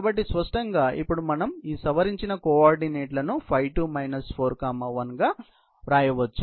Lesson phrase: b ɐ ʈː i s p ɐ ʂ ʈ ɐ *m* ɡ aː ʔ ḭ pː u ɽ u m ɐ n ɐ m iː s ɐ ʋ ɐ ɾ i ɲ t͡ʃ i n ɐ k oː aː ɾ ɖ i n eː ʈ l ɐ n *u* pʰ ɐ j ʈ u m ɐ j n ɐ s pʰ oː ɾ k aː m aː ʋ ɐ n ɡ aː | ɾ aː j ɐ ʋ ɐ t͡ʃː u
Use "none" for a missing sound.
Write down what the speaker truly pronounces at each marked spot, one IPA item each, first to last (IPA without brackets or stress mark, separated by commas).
ŋ, u